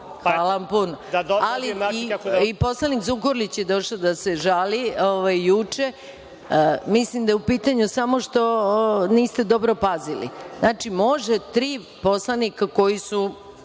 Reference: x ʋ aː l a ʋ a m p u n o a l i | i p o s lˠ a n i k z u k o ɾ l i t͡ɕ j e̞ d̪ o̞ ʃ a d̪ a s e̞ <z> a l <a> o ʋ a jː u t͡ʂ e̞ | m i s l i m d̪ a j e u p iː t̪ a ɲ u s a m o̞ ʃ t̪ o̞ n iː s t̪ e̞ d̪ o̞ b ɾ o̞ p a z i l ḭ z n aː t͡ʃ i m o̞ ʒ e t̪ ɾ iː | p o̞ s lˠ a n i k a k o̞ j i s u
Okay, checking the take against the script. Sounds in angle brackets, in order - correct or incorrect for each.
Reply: incorrect, incorrect

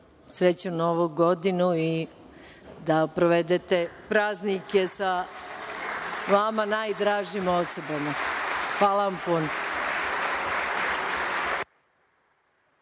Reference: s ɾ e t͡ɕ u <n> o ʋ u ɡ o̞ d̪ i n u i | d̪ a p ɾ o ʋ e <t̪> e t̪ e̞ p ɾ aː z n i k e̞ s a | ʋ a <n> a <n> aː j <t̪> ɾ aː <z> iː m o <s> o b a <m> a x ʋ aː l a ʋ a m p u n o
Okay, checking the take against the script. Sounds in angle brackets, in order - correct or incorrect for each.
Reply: correct, incorrect, incorrect, correct, incorrect, incorrect, correct, correct

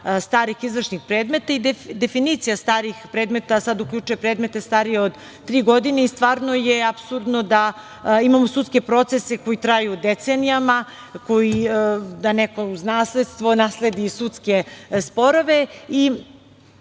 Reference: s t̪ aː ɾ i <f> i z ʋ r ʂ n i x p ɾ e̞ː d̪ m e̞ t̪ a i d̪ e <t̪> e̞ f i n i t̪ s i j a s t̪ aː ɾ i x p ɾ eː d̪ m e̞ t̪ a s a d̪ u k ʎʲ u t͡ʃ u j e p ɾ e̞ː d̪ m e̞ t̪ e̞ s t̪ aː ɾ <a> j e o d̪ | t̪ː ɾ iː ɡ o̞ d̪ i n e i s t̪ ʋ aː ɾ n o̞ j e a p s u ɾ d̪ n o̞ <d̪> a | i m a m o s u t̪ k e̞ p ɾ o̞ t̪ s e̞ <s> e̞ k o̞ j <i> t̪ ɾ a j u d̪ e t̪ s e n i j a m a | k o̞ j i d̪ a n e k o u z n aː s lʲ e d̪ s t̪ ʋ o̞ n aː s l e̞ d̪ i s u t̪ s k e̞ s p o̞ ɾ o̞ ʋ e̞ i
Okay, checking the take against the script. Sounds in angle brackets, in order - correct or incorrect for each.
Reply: incorrect, incorrect, incorrect, correct, correct, correct

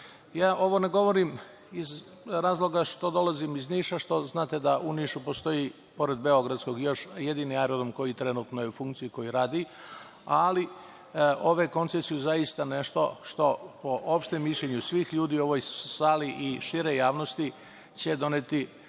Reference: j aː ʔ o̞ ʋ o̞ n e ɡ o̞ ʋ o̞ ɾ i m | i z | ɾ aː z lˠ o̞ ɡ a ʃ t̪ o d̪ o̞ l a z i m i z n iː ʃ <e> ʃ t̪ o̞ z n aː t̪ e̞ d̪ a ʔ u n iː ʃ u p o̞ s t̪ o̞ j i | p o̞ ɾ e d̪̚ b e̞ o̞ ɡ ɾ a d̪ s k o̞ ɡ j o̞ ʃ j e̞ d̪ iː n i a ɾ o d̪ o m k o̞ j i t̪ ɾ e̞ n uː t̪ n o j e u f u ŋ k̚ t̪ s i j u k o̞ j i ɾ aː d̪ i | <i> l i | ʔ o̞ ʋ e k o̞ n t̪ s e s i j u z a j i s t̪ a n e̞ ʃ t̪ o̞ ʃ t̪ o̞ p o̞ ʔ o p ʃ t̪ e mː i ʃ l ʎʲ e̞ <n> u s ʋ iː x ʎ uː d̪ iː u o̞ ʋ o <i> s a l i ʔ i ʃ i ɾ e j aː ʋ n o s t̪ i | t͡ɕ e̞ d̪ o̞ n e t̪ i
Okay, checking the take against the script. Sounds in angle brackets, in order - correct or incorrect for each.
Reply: incorrect, incorrect, incorrect, incorrect

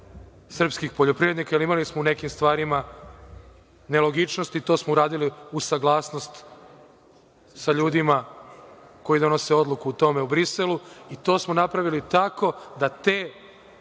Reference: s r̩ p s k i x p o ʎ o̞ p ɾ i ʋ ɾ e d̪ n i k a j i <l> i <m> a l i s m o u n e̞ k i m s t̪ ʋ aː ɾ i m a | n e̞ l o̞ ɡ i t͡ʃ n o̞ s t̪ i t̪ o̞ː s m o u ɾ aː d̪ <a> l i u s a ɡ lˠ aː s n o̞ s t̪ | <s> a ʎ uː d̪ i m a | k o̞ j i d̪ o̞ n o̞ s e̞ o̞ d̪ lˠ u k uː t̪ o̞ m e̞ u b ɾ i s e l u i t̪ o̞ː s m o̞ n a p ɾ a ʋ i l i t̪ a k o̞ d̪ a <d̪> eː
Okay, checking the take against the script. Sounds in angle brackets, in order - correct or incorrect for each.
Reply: correct, correct, incorrect, correct, incorrect

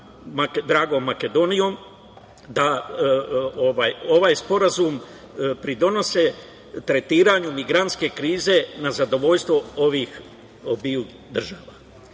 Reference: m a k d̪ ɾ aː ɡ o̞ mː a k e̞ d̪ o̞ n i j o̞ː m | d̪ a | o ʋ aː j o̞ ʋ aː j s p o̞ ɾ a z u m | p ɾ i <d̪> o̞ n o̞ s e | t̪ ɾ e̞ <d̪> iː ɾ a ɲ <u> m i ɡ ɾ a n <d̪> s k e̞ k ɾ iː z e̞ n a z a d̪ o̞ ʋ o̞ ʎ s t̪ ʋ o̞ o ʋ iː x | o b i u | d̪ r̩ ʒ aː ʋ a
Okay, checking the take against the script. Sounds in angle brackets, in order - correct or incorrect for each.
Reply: correct, incorrect, correct, incorrect

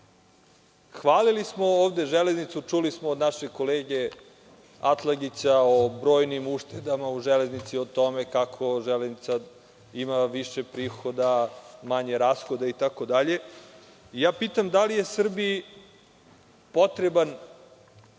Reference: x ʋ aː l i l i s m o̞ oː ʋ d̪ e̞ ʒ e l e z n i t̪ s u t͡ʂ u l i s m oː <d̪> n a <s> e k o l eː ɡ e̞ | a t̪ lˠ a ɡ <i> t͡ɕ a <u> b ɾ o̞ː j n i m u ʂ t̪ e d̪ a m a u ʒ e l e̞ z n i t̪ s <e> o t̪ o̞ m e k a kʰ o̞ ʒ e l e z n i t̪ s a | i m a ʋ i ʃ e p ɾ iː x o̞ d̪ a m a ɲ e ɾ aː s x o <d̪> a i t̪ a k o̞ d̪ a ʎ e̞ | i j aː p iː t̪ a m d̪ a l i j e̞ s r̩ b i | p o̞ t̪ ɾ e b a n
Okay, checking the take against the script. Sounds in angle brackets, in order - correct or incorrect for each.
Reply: correct, incorrect, correct, incorrect, incorrect, correct

